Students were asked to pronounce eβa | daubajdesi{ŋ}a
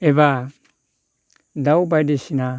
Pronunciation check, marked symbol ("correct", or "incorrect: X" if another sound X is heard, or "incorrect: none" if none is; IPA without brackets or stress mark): incorrect: n